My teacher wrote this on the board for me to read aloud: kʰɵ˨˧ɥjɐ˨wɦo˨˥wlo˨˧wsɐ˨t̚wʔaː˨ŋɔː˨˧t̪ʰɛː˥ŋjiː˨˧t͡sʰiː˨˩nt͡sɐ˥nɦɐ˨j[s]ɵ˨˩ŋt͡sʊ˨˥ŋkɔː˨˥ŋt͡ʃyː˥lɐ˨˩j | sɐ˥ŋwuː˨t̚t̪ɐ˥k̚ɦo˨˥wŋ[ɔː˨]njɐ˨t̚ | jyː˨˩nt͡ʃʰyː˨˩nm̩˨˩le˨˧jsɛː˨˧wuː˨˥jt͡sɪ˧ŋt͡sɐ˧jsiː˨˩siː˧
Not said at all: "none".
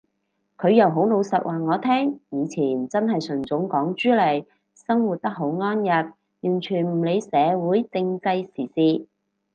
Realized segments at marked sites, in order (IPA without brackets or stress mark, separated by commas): s, ɔː˥